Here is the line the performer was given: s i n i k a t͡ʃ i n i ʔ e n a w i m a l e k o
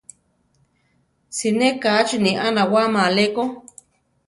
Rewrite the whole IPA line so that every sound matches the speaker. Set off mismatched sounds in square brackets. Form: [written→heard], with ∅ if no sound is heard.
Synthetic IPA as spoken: s i n [i→e] k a t͡ʃ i n i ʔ [e→a] n a w [i→a] m a l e k o

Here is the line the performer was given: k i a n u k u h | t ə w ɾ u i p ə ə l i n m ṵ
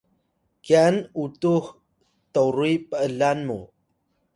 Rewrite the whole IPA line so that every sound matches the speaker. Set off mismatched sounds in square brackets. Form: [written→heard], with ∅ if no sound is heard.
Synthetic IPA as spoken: k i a n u [k→t] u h | t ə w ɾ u i p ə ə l [i→a] n m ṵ

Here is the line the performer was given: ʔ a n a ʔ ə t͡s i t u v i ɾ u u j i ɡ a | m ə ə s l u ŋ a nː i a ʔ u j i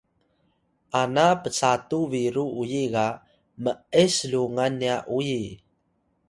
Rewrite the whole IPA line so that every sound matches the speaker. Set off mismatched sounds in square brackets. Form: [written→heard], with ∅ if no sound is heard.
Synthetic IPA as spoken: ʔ a n a [ʔ→p] ə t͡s [i→a] t u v i ɾ u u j i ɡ a | m ə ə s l u ŋ a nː i a ʔ u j i

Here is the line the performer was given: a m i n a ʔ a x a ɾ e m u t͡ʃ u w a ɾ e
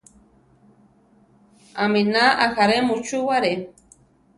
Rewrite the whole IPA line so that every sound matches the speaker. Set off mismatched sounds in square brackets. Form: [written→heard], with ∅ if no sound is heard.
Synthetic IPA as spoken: a m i n a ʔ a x a ɾ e m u t͡ʃ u w a ɾ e

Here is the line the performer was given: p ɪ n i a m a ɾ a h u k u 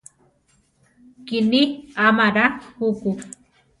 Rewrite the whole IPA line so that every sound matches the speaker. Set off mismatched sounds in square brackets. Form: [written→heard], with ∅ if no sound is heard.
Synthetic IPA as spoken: [p→k] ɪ n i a m a ɾ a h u k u

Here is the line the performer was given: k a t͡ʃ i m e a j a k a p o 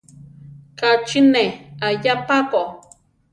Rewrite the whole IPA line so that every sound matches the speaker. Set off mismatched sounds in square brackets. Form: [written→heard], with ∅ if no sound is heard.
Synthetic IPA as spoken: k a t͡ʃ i [m→n] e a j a [k→p] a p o

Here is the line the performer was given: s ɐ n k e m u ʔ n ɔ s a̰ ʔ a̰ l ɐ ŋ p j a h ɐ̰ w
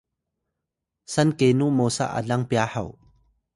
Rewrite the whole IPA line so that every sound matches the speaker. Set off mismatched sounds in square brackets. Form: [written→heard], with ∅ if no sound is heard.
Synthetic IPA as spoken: s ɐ n k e [m→n] u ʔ [n→m] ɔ s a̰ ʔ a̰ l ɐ ŋ p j a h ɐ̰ w

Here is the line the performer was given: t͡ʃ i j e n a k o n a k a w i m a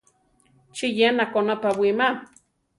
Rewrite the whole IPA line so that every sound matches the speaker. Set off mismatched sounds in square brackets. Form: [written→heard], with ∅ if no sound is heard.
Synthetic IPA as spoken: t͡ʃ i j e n a k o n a [k→p] a w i m a

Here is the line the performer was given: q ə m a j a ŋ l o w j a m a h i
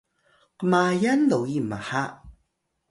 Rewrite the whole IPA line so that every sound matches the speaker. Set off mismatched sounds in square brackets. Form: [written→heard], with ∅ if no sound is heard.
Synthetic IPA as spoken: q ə m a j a [ŋ→n] l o w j [a→i] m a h [i→a]

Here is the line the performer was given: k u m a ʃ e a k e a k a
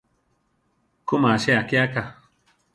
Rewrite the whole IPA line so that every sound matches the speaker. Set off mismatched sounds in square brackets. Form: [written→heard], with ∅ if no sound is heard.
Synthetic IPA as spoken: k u m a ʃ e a k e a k a

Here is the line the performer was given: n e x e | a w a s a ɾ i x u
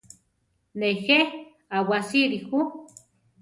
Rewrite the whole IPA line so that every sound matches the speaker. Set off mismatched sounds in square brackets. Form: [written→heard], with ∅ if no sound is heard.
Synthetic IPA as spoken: n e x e | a w a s [a→i] ɾ i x u

